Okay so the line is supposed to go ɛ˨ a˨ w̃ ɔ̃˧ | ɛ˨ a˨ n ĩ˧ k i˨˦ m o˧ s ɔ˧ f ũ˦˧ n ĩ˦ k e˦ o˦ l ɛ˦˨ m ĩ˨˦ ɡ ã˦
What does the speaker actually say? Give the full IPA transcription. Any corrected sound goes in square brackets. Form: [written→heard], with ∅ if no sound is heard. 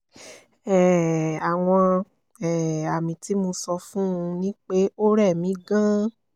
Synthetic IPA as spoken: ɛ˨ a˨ w̃ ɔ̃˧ | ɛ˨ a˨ [n→m] ĩ˧ [k→t] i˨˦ m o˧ s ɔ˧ f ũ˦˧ n ĩ˦ [k→k͡p] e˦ o˦ [l→ɾ] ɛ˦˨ m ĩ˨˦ ɡ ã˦